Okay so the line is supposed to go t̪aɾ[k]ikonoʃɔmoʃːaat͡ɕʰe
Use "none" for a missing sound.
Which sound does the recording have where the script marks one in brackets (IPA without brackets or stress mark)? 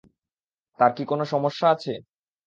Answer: k